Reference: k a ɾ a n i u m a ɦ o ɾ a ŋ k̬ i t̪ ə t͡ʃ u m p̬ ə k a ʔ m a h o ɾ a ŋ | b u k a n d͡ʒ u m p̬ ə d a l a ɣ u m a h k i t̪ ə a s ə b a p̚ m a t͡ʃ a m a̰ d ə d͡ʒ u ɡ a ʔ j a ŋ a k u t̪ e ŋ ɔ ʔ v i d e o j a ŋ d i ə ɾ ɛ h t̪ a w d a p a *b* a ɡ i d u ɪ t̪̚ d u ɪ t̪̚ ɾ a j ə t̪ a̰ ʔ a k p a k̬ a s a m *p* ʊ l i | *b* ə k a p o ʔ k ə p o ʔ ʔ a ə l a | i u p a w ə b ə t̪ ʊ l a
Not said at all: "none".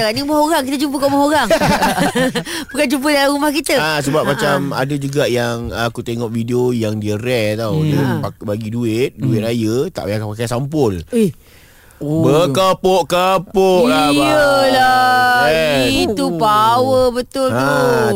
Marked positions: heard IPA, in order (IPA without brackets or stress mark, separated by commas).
b, p, b